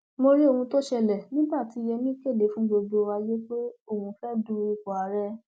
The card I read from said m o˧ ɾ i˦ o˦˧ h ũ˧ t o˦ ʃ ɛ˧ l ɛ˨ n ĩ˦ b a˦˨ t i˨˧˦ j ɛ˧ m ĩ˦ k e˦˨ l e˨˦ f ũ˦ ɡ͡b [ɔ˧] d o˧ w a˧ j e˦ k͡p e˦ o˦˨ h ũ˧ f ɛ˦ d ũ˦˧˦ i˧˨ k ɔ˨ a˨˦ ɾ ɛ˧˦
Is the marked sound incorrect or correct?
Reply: incorrect